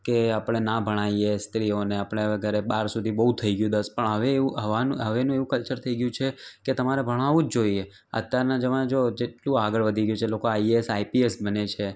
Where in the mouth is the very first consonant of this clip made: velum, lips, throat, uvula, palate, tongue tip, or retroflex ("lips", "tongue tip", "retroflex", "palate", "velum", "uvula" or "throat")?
velum